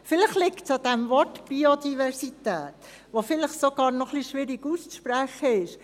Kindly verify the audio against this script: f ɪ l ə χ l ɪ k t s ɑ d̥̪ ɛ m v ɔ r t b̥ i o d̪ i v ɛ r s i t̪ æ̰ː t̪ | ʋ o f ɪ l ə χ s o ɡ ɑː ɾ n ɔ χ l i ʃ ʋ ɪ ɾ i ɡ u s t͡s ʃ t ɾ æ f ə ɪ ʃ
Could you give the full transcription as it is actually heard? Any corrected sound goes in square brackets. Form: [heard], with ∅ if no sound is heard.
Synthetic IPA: f ɪ l ə χ l ɪ k t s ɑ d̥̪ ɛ m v ɔ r t b̥ i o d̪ i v ɛ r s i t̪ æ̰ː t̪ | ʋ o f ɪ l ə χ s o ɡ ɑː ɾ n ɔ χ l i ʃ ʋ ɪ ɾ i ɡ u s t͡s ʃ [p] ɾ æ [χ] ə ɪ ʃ